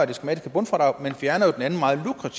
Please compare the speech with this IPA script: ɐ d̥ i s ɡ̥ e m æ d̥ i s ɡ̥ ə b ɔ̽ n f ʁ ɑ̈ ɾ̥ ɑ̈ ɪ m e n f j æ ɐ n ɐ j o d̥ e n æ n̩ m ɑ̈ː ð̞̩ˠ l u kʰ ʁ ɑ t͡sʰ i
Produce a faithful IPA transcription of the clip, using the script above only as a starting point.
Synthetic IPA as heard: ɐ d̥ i s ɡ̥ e m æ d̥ i s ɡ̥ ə b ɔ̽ n f ʁ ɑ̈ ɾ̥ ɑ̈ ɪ m e n f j æ ɐ n ɐ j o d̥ e n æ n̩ m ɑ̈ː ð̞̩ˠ l u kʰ ʁ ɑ t͡sʰ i